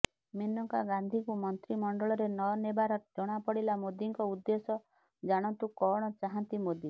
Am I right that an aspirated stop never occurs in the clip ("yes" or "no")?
yes